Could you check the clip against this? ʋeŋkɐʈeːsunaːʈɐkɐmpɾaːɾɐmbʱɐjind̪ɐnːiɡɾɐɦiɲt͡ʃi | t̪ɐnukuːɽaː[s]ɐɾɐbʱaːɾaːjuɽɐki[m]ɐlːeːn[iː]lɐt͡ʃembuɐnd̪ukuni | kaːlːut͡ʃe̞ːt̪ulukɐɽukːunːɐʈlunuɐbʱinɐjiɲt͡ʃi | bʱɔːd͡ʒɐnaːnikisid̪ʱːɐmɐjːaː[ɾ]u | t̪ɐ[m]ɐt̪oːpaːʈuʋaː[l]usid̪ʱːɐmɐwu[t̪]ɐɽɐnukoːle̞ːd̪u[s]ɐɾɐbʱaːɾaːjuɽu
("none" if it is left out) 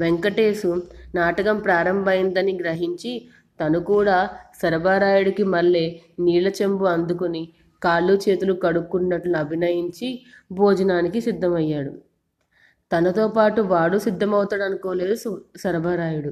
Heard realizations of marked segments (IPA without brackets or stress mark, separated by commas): s, m, iː, ɽ, n, ɽ, t̪, s